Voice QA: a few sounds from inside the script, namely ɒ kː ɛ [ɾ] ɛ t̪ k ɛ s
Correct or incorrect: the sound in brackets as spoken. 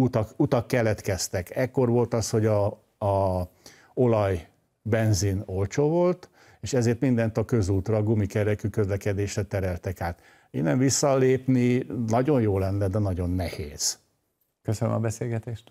incorrect: l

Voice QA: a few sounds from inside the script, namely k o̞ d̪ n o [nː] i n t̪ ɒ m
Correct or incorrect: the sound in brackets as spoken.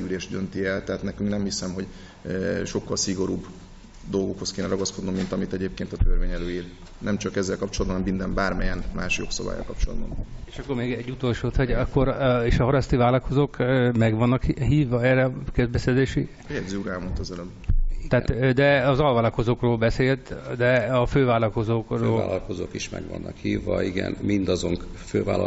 incorrect: mː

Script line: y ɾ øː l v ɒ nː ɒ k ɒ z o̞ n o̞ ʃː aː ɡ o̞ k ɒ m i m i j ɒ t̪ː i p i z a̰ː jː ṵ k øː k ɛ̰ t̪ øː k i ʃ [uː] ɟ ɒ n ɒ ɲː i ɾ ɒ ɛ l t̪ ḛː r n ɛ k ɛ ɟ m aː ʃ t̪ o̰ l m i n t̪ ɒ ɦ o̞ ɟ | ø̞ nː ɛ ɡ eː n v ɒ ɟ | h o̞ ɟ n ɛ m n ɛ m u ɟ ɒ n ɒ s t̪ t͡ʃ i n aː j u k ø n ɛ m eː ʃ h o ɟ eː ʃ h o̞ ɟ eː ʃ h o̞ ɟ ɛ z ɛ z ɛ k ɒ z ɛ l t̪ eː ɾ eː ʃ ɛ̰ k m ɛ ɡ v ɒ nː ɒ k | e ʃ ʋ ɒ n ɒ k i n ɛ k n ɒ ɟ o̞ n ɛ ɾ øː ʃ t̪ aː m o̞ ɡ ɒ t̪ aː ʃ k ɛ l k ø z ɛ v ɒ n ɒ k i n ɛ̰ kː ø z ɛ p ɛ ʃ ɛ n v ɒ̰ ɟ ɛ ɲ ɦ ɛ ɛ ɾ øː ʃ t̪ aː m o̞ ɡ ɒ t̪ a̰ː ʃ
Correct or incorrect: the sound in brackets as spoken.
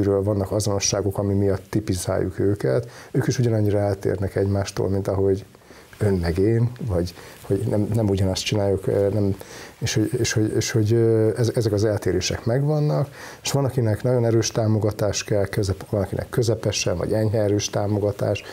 incorrect: u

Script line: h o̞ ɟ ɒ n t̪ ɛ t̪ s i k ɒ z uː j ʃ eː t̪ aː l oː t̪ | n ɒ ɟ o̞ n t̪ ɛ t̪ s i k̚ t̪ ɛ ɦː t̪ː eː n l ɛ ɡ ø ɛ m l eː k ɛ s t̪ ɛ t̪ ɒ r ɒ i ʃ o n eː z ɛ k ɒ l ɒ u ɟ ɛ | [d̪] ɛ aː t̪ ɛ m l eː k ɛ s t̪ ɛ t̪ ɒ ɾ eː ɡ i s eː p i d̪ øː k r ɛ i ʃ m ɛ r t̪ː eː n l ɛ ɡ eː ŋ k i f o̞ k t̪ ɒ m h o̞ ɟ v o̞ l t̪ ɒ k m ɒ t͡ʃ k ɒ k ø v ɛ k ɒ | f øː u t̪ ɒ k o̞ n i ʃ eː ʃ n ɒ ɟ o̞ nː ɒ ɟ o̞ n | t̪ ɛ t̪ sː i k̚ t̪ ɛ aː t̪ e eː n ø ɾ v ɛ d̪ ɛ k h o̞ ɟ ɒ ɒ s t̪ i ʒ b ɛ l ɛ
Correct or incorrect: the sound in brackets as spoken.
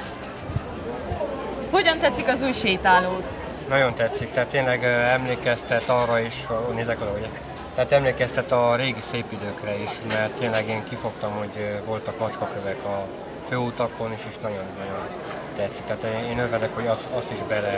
incorrect: t̪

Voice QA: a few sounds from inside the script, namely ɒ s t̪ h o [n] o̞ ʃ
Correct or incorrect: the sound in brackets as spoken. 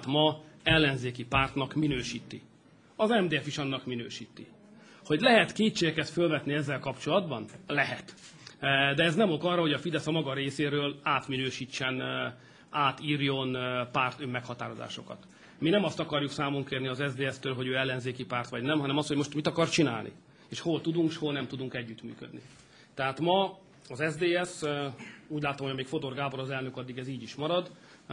incorrect: m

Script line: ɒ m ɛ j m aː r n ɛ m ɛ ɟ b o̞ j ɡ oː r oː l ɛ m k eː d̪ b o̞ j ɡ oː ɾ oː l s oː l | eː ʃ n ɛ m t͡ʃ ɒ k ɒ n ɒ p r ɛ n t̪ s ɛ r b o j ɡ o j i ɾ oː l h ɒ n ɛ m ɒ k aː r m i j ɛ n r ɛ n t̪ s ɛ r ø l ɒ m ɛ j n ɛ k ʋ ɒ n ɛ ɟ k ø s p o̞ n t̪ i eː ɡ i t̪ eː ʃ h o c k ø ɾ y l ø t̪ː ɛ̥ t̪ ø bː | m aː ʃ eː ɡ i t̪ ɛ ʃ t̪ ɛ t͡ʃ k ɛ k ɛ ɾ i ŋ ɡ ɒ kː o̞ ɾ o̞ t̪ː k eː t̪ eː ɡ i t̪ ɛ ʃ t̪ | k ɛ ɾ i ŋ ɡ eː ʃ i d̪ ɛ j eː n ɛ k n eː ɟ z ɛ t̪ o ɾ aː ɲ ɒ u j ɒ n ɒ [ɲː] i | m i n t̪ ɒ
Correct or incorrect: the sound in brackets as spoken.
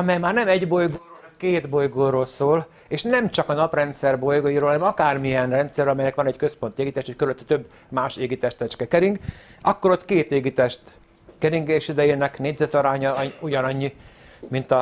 correct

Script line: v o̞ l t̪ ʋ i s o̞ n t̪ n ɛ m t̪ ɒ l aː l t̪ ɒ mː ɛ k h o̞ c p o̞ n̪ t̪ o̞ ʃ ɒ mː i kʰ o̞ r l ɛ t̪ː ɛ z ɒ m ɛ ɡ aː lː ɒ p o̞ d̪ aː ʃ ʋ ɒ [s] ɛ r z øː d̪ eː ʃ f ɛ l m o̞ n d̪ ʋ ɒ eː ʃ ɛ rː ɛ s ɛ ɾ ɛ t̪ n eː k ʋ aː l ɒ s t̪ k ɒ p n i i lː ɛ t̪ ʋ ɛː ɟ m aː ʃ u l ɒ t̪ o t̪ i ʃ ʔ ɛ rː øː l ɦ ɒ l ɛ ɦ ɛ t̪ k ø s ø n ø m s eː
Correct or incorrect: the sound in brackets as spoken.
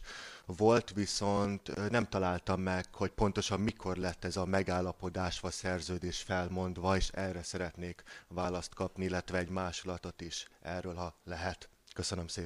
correct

